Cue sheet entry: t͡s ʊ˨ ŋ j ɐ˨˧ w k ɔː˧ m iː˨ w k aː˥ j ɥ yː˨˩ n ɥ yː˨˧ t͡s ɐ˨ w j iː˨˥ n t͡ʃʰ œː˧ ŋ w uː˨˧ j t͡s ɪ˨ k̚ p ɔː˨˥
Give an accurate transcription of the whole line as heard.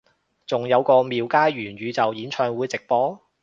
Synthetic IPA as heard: t͡s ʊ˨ ŋ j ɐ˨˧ w k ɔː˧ m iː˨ w k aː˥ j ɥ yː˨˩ n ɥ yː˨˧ t͡s ɐ˨ w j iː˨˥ n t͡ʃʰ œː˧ ŋ w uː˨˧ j t͡s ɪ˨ k̚ p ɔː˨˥